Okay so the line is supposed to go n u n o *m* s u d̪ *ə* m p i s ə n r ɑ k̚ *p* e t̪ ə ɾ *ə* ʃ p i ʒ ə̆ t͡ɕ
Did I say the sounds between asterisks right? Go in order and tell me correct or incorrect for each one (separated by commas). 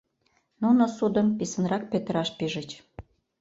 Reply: incorrect, correct, correct, incorrect